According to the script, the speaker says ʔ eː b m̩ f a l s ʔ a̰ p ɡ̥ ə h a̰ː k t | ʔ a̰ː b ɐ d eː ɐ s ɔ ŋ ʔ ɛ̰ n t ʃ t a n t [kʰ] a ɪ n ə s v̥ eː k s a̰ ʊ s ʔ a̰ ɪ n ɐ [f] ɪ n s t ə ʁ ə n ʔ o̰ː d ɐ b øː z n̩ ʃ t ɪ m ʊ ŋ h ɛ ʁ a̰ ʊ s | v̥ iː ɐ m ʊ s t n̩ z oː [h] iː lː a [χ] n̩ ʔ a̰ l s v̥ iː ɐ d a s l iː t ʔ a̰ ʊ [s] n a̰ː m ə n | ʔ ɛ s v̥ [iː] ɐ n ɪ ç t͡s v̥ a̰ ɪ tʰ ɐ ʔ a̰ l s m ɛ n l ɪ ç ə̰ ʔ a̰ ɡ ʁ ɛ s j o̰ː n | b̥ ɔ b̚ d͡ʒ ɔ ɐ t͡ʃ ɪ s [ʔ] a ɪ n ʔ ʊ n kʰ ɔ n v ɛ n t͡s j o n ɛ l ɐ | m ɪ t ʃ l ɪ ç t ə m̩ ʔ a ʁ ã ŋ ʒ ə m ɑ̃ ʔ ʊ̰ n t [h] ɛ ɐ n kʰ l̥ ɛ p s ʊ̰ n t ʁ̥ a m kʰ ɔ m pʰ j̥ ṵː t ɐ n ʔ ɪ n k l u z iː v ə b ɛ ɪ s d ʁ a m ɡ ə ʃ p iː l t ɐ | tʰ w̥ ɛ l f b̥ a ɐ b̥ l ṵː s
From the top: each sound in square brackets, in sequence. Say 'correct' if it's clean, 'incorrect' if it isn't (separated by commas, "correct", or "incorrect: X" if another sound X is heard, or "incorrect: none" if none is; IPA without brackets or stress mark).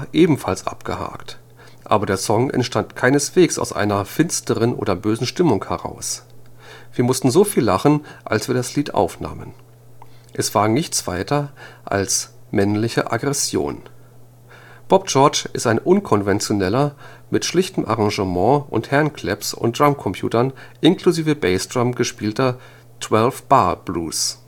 correct, correct, incorrect: f, correct, incorrect: f, incorrect: aː, incorrect: t, correct